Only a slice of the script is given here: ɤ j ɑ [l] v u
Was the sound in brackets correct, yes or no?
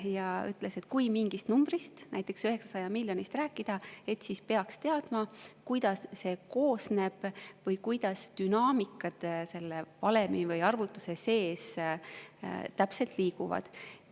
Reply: no